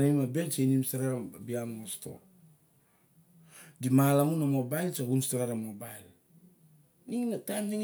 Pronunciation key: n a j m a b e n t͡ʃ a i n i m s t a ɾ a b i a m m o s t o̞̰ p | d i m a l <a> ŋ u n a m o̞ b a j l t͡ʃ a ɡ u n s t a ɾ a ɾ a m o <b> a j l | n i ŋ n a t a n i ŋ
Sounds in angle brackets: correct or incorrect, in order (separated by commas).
correct, correct